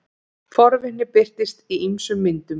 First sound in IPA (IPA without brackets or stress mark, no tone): f